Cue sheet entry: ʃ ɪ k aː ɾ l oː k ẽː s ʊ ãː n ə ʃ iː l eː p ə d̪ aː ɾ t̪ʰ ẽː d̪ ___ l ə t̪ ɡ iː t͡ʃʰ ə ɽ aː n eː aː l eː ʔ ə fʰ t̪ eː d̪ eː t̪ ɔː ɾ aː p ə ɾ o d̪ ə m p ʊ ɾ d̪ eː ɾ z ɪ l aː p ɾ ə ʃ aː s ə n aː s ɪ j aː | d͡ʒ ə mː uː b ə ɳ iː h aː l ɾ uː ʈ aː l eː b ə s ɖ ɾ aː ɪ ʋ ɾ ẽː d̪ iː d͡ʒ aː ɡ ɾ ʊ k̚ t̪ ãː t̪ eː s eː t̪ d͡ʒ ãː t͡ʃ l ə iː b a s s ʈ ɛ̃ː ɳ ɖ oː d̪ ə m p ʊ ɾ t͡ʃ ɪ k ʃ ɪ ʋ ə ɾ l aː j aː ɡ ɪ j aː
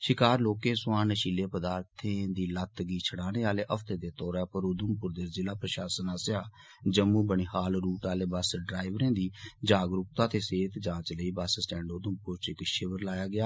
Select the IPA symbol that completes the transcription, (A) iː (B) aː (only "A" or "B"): A